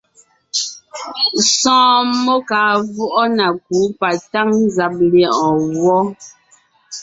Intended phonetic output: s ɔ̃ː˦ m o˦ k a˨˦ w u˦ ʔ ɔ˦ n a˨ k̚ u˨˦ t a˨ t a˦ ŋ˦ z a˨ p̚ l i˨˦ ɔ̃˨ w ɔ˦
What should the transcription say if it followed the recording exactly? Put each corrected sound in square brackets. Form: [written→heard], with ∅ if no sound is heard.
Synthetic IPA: s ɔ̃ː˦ m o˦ k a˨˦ [w→v] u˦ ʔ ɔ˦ n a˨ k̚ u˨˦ [t→p] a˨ t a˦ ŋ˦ z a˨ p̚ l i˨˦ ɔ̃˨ w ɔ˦